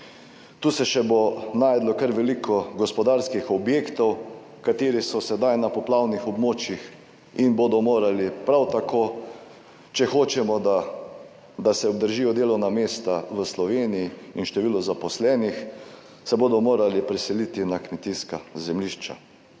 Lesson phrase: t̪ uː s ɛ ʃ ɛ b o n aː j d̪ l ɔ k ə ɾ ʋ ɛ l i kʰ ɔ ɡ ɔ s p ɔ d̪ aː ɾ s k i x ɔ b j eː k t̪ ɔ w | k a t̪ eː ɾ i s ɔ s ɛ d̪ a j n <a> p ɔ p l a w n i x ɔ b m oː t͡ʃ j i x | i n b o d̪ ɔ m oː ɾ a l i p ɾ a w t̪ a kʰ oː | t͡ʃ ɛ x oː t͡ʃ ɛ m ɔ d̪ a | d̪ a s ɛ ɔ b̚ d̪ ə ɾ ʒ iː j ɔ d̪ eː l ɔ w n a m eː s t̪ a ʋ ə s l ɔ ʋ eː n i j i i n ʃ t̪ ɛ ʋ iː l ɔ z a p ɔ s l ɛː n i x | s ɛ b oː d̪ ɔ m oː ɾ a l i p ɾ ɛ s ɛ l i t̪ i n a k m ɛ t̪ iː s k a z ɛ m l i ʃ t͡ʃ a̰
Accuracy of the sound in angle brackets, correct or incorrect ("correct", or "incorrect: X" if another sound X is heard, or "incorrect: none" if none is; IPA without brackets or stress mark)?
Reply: correct